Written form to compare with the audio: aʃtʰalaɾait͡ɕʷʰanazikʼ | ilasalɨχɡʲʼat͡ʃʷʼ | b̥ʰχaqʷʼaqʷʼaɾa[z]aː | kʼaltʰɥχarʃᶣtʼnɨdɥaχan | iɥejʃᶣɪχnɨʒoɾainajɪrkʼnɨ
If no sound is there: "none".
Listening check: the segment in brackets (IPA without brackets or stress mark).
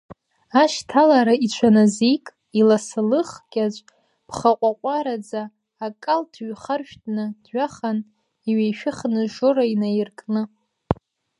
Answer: d͡z